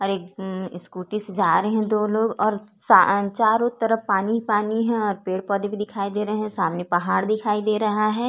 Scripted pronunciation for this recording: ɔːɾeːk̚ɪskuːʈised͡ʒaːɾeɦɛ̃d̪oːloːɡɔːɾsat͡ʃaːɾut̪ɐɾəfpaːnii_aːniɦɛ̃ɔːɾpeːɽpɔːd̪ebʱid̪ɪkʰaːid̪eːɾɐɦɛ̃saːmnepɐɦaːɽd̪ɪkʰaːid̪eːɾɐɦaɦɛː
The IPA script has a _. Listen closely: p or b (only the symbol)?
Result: p